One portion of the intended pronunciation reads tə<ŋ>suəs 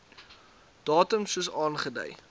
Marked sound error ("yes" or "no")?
yes